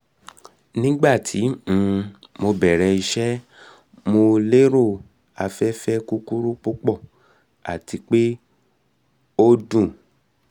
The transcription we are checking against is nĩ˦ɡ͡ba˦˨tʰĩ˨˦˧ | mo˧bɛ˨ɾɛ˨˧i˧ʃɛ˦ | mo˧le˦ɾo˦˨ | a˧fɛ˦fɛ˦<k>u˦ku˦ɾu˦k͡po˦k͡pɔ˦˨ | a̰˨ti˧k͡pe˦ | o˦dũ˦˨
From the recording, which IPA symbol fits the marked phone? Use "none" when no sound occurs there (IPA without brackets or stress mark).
k